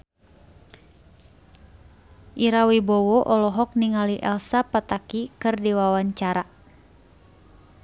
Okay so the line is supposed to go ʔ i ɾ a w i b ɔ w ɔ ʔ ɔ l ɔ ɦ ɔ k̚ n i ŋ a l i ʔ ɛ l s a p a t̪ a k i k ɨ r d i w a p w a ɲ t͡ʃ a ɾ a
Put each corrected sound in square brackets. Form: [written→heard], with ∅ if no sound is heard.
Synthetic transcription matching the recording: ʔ i ɾ a w i b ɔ w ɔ ʔ ɔ l ɔ ɦ ɔ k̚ n i ŋ a l i ʔ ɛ l s a p a t̪ a k i k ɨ r d i w a [p→∅] w a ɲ t͡ʃ a ɾ a